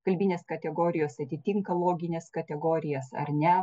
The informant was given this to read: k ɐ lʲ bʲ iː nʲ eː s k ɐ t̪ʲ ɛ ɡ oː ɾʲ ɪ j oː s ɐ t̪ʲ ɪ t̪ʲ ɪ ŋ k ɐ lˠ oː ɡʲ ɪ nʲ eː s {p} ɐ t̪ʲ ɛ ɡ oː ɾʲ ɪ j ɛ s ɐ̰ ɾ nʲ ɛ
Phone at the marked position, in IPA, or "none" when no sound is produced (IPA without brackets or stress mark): k